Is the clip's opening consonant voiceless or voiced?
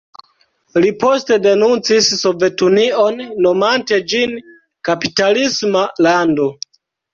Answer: voiced